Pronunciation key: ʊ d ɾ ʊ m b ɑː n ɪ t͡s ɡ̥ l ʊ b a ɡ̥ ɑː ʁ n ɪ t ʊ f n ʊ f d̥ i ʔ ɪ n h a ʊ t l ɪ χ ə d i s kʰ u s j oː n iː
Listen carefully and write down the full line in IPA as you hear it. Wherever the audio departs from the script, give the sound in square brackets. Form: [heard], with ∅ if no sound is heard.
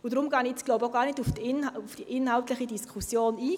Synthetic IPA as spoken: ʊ d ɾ ʊ m [ɡ] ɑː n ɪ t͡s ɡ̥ l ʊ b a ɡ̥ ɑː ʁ n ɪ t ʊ f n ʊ f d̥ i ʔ ɪ n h a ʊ t l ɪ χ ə d i s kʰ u s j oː n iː